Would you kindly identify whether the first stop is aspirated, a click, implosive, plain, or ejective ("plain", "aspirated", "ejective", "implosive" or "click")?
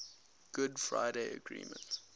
plain